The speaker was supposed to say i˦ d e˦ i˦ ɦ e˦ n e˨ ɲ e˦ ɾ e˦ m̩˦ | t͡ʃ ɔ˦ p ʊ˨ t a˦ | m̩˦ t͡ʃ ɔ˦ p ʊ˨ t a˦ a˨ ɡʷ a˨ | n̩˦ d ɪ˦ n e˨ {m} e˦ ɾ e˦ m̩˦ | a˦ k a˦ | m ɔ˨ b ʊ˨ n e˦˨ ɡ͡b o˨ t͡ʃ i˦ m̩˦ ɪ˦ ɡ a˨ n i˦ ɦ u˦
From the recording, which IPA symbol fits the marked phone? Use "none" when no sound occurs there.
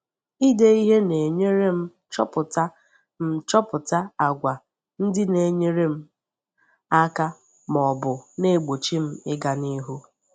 ɲ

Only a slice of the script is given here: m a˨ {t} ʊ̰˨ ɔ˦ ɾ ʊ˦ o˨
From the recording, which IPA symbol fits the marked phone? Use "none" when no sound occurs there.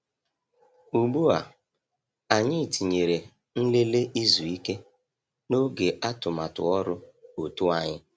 t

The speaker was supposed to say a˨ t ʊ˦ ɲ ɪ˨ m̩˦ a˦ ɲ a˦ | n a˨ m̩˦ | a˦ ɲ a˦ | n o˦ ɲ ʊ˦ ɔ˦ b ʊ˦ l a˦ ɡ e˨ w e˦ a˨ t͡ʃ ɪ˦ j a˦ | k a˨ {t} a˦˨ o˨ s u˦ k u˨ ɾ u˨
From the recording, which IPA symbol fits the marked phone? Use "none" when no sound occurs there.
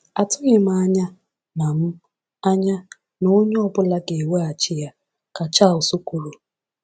t͡ʃ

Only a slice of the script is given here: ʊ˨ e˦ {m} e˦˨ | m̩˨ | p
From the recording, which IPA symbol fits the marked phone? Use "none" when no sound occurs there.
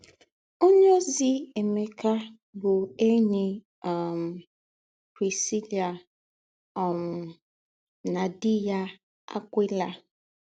ɲ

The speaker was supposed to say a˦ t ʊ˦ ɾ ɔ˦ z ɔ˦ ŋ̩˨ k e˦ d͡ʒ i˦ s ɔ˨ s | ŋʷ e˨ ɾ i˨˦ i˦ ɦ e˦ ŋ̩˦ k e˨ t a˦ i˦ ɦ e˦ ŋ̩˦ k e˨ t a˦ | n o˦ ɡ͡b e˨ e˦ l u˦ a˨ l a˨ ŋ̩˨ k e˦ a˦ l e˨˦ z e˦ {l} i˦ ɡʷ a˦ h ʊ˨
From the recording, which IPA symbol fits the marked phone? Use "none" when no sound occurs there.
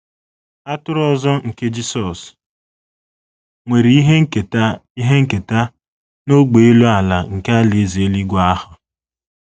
l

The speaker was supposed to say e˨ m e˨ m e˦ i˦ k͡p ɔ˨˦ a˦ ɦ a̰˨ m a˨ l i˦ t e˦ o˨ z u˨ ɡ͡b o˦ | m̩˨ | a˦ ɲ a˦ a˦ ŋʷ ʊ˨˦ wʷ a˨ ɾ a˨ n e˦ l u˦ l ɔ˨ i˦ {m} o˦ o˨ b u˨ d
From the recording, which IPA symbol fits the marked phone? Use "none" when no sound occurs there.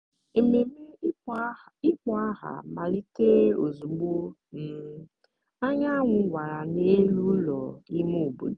m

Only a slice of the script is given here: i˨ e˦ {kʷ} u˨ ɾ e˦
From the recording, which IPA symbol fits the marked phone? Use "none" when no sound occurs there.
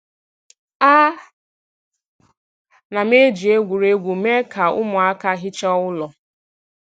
ɡʷ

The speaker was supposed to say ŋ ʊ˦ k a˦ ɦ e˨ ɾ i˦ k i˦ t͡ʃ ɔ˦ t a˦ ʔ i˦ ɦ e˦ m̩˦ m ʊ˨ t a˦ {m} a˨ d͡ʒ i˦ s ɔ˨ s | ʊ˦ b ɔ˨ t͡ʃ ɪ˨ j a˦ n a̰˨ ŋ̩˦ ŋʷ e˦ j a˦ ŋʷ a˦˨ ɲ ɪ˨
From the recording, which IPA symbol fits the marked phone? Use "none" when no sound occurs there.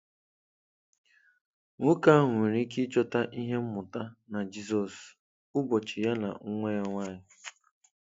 n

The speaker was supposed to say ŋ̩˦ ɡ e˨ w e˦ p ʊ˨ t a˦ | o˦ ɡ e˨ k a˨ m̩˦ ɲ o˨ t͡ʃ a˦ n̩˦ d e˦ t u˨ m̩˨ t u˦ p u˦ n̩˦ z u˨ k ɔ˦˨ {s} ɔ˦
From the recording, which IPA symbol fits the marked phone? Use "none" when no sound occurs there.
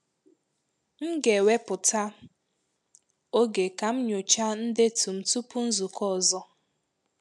z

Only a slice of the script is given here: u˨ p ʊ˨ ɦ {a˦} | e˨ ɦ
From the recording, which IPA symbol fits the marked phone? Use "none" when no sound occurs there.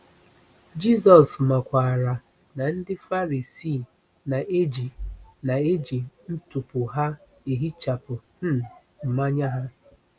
a˦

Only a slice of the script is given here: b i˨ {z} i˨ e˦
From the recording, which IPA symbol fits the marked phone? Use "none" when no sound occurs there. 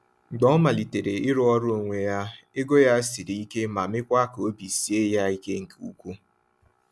s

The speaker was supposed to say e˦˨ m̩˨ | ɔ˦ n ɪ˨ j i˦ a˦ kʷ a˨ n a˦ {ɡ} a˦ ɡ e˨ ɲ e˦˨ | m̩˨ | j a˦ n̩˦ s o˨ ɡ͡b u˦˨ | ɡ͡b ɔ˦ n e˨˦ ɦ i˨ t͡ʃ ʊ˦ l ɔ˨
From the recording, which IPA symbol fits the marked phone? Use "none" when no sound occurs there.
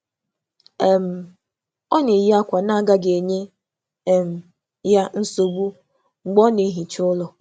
ɡ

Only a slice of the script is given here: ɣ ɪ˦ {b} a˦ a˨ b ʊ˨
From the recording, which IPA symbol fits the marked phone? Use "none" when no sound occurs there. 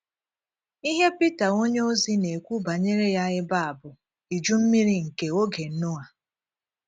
b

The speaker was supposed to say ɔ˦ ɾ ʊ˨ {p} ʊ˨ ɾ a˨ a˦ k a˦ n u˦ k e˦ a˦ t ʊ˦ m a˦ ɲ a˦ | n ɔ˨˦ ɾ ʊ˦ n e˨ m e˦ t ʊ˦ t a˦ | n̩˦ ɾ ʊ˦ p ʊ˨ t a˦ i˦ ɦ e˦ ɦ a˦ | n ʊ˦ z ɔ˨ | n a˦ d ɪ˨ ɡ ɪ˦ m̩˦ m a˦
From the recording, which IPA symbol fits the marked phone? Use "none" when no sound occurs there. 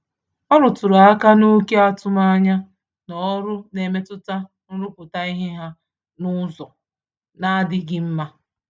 t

